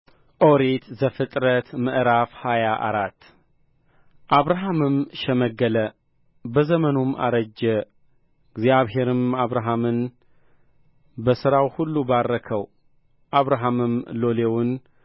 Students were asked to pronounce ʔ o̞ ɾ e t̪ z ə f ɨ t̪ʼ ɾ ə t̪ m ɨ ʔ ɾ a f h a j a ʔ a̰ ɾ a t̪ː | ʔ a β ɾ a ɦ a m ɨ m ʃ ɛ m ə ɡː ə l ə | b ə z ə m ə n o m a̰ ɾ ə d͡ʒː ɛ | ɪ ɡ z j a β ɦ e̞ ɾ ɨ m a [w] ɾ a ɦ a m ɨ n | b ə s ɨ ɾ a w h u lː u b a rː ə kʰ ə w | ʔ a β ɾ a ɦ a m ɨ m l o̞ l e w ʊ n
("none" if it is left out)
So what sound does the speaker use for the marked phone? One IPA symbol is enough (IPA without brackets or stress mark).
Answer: β